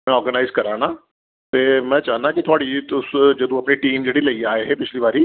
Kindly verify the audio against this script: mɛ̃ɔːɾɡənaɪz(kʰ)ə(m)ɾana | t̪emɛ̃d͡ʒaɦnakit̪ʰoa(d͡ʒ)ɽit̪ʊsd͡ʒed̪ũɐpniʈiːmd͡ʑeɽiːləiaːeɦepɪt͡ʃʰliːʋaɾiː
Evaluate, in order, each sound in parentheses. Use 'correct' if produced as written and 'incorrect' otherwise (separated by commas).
incorrect, incorrect, incorrect